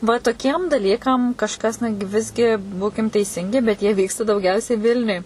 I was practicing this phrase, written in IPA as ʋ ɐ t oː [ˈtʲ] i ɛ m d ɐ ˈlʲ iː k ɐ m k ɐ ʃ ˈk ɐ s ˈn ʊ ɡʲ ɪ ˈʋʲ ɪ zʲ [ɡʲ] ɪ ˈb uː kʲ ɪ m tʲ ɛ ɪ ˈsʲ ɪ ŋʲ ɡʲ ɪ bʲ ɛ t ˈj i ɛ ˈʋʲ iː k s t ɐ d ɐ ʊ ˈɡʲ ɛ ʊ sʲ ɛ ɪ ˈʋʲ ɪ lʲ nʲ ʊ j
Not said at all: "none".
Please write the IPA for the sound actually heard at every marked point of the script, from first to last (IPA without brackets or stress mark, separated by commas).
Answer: kʲ, ɡʲ